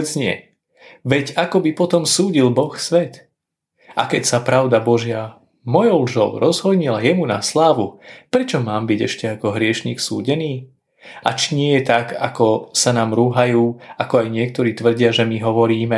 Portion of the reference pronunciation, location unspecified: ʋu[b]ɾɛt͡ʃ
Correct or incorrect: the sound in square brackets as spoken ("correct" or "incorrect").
incorrect